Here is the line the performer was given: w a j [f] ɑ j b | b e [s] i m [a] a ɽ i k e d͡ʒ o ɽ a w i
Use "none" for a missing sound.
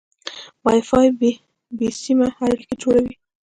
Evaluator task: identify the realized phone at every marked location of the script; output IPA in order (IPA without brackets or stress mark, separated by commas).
f, s, a